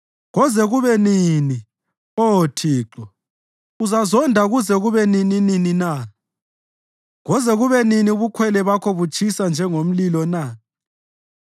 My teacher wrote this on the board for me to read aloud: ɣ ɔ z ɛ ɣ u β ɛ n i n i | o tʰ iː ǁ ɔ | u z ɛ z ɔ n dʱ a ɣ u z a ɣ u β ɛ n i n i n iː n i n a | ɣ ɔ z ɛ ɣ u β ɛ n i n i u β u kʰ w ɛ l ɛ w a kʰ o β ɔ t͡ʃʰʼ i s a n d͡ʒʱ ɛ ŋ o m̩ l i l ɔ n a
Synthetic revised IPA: ɣ ɔ z ɛ ɣ u β ɛ n i n i | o tʰ iː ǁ ɔ | u z a z ɔ n dʱ a ɣ u z ɛ ɣ u β ɛ n i n i n i n i n a | ɣ ɔ z ɛ ɣ u β ɛ n i n i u β u kʰ w ɛ l ɛ β a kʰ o β u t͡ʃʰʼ i s a n d͡ʒʱ ɛ ŋ o m̩ l i l ɔ n a